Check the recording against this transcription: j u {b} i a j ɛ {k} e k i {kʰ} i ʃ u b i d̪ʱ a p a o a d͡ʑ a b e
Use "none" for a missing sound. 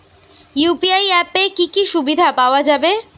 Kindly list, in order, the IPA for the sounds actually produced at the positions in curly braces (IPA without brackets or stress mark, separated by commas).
p, p, k